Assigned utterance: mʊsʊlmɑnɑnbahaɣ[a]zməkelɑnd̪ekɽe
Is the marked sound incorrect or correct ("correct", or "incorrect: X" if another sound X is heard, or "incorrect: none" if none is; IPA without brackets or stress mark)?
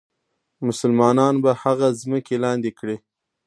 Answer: correct